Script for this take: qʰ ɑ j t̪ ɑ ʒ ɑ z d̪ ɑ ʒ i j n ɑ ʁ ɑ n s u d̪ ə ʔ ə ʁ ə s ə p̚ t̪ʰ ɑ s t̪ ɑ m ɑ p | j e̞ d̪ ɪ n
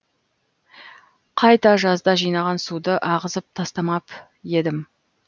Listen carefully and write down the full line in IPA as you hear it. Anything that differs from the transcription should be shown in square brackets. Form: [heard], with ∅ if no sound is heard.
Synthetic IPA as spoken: qʰ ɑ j t̪ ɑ ʒ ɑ z d̪ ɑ ʒ i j n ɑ ʁ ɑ n s u d̪ ə ʔ [ɑ] ʁ ə [z] ə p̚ t̪ʰ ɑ s t̪ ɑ m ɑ p | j e̞ d̪ ɪ [m]